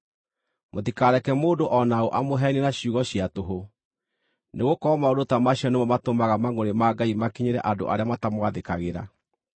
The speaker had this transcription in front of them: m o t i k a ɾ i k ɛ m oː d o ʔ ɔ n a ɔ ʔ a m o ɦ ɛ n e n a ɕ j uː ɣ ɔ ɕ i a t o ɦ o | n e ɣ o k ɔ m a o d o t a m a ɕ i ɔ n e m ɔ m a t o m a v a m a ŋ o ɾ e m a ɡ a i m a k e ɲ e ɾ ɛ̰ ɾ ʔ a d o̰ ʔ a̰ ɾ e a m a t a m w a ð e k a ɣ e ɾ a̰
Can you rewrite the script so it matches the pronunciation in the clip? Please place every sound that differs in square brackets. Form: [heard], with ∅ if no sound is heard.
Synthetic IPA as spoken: m o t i k a ɾ [ɛ] k ɛ m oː d o ʔ ɔ n a [o] ʔ a m o ɦ ɛ n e n a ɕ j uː ɣ ɔ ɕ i a t o ɦ o | n e ɣ o k ɔ m a o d o t a m a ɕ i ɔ n e m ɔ m a t o m a [ɣ] a m a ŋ o ɾ e m a ɡ a i m a k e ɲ e ɾ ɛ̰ [∅] ʔ a d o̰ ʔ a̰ ɾ e a m a t a m w a ð e k a ɣ e ɾ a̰